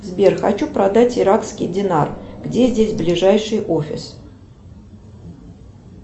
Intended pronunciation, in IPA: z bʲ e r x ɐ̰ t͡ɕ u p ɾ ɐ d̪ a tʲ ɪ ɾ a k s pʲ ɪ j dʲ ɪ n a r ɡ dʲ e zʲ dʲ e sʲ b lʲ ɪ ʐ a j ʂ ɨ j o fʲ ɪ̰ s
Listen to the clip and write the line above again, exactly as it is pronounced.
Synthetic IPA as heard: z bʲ e r x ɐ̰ t͡ɕ u p ɾ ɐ d̪ a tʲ ɪ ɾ a k s kʲ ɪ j dʲ ɪ n a r ɡ dʲ e zʲ dʲ e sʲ b lʲ ɪ ʐ a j ʂ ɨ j o fʲ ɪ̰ s

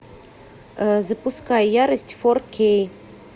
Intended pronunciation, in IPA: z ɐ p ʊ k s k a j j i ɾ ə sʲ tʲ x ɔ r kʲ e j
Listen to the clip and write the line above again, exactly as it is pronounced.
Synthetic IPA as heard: z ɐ p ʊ s k a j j a ɾ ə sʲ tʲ f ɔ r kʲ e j

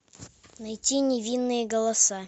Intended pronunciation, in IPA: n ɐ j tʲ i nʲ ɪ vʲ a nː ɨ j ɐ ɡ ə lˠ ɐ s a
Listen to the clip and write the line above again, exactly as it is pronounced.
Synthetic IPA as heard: n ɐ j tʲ i nʲ ɪ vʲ i nː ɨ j ə ɡ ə lˠ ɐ s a

